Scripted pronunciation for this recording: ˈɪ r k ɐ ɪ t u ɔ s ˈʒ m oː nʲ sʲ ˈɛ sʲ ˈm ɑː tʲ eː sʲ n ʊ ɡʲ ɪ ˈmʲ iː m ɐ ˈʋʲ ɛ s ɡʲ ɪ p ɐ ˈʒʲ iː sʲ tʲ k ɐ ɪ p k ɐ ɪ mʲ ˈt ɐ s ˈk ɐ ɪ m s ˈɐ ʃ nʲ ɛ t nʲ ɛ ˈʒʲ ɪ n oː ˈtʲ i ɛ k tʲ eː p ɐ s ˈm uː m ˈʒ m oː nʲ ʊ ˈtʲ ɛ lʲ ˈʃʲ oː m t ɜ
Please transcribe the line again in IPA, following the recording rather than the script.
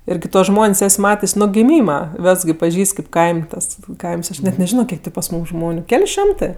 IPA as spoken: ˈɪ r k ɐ ɪ t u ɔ s ˈʒ m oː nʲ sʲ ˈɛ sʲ ˈm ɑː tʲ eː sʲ n ʊ ɡʲ ɪ ˈmʲ iː m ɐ ˈʋʲ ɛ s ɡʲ ɪ p ɐ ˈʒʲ iː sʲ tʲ k ɐ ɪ p k ɐ ɪ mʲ ˈt ɐ s ˈk ɐ ɪ m s ˈɐ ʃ nʲ ɛ t nʲ ɛ ˈʒʲ ɪ n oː ˈkʲ i ɛ k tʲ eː p ɐ s ˈm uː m ˈʒ m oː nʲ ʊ ˈkʲ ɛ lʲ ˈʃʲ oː m t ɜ